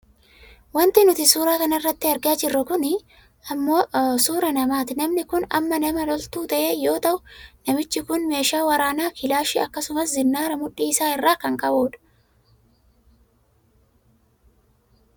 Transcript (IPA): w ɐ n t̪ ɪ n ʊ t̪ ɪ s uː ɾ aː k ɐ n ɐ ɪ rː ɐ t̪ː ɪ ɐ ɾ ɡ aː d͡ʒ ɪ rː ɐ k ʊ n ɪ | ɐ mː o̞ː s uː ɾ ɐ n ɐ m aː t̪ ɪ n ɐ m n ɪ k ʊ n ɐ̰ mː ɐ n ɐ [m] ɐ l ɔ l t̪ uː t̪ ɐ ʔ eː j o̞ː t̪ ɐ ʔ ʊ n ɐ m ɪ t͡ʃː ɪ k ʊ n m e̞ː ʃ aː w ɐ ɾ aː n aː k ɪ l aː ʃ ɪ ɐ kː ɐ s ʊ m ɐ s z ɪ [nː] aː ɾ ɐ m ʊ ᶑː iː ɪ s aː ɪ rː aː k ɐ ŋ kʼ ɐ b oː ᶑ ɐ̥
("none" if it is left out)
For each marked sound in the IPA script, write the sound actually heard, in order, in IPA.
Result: m, nː

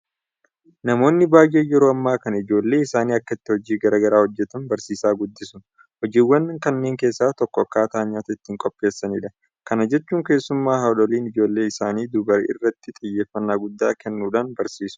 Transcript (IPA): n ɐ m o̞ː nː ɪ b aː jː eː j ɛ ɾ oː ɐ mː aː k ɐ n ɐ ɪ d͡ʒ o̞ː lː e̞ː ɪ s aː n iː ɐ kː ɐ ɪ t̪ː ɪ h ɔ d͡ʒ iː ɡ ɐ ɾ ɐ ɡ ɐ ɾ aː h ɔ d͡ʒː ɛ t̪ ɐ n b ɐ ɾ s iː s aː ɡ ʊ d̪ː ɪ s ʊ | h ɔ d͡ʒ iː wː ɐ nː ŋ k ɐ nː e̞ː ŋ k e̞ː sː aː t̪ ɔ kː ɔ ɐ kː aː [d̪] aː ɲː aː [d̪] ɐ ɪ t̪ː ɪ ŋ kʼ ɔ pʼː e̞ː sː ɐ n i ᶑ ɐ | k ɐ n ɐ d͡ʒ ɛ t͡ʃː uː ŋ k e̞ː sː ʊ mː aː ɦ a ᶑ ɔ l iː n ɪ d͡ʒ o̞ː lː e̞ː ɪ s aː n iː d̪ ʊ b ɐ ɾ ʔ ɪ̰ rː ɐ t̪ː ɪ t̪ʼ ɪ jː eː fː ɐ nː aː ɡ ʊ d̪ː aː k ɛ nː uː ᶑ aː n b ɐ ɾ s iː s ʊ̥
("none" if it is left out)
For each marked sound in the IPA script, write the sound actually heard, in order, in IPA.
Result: t̪, t̪

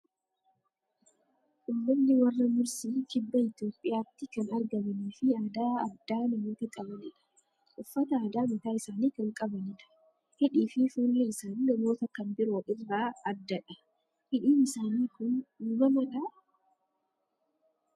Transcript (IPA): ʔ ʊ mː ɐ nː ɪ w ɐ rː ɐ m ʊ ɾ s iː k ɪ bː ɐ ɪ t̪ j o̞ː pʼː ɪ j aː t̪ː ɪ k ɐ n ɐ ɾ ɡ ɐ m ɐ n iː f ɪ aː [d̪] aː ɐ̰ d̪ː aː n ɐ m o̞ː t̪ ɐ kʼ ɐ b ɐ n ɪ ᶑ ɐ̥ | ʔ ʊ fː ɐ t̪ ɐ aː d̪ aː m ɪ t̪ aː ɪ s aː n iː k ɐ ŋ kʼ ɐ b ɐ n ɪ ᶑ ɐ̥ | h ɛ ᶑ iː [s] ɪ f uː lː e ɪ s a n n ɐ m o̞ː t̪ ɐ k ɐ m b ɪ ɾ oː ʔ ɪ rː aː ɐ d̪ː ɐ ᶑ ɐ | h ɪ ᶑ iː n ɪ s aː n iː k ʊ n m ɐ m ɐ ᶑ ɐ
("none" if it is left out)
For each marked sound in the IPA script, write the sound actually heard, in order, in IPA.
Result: d̪, f

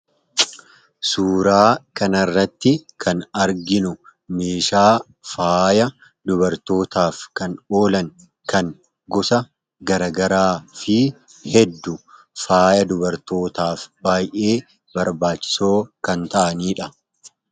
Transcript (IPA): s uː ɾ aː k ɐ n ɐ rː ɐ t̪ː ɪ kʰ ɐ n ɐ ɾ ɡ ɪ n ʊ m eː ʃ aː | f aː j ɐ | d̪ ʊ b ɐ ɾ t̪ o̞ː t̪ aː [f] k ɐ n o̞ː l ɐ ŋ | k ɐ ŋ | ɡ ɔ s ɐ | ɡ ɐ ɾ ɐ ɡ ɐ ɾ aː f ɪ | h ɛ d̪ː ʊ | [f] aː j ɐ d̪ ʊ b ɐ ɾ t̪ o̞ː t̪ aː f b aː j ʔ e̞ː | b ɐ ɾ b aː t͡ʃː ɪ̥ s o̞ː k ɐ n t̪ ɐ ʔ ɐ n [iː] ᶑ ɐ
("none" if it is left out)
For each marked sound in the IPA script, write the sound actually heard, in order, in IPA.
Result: f, f, iː

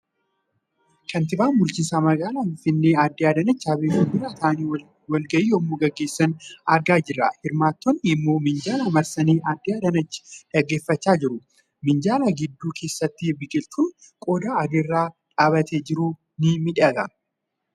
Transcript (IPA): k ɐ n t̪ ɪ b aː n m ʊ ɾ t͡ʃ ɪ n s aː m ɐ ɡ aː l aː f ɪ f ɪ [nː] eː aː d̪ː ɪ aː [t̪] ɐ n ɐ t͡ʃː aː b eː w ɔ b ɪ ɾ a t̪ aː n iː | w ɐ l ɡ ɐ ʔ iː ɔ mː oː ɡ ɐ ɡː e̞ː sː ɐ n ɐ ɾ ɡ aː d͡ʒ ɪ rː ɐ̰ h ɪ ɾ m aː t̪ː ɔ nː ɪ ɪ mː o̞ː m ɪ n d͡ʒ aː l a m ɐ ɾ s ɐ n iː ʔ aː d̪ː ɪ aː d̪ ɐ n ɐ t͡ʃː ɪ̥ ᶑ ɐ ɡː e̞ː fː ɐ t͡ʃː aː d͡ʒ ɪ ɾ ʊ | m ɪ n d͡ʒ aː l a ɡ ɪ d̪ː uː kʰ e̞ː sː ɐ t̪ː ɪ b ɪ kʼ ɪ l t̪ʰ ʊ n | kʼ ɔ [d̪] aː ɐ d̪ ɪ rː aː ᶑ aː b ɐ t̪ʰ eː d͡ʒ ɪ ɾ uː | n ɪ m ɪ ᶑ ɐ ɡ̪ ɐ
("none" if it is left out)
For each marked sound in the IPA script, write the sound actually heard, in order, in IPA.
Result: nː, d̪, d̪

